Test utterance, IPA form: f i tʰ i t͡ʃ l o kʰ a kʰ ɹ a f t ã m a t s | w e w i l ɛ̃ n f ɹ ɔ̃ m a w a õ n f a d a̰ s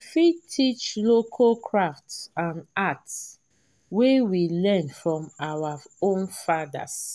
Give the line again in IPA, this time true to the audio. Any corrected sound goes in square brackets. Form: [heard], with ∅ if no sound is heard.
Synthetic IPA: f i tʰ i t͡ʃ l o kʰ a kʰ ɹ a f t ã [n] a t s | w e w i l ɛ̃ n f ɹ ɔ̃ m a w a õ n f a d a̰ s